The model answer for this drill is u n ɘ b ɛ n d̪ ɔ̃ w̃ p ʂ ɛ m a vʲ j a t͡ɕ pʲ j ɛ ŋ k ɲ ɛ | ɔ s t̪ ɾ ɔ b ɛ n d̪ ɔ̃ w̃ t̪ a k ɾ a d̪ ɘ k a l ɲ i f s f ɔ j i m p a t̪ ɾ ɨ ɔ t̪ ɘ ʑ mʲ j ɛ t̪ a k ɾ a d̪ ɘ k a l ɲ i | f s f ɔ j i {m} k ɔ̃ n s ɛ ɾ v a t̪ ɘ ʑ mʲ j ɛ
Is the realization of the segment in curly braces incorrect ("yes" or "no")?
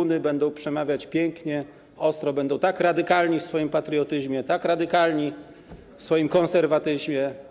no